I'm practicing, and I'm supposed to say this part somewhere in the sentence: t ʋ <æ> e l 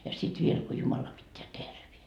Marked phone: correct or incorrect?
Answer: incorrect